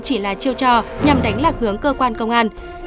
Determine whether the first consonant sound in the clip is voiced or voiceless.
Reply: voiceless